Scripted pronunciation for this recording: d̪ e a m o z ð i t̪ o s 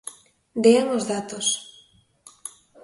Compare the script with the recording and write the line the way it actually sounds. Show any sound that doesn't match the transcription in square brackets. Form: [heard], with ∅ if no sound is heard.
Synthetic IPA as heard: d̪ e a [ŋ] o z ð [a] t̪ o s